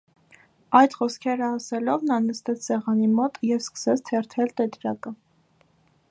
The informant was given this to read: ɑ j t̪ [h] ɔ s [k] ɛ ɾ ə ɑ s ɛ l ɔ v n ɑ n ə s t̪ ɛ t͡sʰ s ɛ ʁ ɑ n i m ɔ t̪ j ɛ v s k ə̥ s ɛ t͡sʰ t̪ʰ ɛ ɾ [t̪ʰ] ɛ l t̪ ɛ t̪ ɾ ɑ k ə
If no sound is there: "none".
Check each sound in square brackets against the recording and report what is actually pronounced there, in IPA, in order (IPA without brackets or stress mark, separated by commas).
χ, kʰ, t̪ʰ